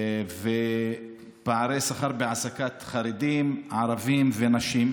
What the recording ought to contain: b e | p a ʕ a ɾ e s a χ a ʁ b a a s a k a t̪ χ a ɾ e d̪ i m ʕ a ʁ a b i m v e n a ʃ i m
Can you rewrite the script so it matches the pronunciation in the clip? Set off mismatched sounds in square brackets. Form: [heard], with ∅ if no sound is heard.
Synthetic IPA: [v] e | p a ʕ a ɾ e s a χ a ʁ b [e] a s a k a t̪ χ a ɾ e d̪ i m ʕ a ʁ a [v] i m v e n a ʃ i m